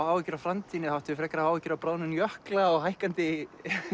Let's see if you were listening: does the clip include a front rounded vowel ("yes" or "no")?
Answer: yes